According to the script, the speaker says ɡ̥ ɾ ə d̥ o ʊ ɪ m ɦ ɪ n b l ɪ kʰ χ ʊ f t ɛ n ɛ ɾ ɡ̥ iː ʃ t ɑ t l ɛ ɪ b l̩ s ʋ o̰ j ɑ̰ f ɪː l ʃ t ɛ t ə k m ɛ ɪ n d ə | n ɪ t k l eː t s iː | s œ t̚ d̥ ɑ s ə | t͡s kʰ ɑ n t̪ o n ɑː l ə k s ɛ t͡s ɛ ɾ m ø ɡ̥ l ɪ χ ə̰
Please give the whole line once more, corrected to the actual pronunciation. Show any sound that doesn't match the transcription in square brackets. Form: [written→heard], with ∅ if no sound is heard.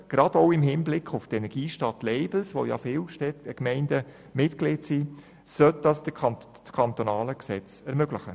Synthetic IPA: ɡ̥ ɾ [ə→ɑ] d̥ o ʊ ɪ m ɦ ɪ n b l ɪ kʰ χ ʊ f t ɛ n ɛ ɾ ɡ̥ iː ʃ t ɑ t l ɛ ɪ b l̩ s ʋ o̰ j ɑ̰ f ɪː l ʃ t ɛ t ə k m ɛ ɪ n d ə | [n→m] ɪ t k l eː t s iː | s œ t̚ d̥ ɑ s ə | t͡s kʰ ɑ n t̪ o n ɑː l ə k s ɛ t͡s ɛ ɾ m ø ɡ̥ l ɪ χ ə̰